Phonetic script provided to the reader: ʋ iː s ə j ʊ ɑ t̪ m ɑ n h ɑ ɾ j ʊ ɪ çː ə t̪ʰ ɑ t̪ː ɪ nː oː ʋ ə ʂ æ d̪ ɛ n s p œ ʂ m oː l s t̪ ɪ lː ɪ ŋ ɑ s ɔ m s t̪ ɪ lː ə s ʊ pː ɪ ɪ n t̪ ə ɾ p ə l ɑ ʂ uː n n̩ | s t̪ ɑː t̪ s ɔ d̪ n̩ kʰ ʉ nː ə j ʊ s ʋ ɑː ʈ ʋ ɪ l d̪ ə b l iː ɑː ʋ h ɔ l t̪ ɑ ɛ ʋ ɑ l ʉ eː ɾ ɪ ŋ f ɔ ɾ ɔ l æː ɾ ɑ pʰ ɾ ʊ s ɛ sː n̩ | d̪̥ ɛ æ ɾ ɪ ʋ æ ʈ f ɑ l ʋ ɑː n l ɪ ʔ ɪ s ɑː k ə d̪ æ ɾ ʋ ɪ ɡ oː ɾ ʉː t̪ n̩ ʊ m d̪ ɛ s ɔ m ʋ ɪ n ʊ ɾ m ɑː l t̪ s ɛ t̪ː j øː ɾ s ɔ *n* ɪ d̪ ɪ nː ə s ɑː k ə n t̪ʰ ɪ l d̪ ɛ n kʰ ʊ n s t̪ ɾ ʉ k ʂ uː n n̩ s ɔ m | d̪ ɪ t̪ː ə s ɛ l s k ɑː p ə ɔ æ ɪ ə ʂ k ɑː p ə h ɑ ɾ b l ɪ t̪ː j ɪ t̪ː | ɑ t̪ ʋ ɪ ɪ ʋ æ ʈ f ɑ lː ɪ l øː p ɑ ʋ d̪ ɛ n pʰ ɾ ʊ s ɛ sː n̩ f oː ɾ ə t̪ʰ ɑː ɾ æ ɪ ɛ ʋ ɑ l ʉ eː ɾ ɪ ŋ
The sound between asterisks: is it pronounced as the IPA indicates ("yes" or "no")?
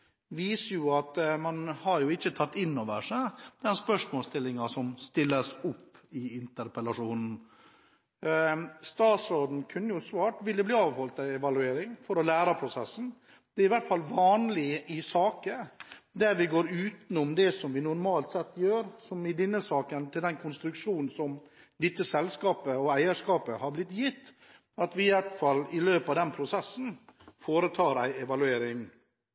no